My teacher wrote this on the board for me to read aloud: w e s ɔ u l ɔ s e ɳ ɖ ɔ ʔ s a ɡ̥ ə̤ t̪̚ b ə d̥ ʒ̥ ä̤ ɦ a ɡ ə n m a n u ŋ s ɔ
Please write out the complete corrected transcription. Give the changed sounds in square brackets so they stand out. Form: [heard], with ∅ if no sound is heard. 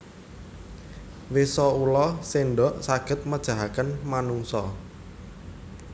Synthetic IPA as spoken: w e s ɔ u l ɔ s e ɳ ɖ ɔ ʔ s a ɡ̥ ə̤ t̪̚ [m] ə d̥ ʒ̥ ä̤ ɦ a [k] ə n m a n u ŋ s ɔ